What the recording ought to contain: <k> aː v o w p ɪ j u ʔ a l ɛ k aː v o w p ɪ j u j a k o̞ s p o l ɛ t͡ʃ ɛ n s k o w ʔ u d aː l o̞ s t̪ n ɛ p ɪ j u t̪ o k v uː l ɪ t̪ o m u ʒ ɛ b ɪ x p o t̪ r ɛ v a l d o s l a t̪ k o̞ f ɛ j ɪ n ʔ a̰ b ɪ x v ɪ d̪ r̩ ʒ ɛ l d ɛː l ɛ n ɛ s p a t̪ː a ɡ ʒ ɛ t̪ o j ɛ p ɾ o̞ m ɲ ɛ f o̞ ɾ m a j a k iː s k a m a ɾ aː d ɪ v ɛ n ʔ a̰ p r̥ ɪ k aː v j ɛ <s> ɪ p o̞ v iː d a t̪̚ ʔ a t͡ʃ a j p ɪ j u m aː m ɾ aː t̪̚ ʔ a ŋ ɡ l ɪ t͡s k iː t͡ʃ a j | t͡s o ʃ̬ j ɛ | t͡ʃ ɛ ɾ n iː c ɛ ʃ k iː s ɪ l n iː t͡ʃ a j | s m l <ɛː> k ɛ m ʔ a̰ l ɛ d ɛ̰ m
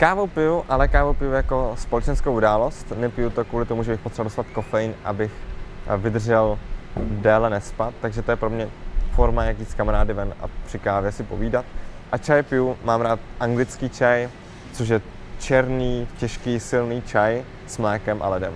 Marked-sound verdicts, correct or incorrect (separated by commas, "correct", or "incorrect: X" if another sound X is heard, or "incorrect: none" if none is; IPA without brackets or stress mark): correct, correct, correct